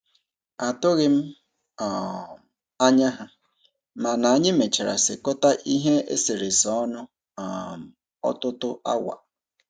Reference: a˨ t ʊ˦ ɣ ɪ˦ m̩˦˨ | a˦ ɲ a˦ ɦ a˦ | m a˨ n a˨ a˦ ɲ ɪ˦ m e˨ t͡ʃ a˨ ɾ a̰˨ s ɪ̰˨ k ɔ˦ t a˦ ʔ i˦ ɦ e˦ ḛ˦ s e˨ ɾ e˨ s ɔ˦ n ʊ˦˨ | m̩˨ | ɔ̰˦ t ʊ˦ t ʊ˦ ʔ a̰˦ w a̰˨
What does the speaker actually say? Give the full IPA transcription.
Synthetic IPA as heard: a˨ t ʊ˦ ɣ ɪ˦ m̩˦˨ | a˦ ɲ a˦ ɦ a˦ | m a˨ n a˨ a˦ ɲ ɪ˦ m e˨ t͡ʃ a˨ ɾ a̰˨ s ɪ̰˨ k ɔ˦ t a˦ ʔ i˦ ɦ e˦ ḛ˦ s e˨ ɾ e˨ s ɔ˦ n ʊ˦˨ | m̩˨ | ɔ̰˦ t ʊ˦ t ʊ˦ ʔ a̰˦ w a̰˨